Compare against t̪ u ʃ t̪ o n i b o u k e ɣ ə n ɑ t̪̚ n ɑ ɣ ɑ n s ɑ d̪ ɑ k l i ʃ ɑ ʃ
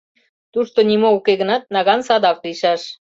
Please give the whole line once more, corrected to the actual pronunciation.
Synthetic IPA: t̪ u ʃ t̪ o n i m o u k e ɣ ə n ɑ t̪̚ n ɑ ɣ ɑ n s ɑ d̪ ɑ k l i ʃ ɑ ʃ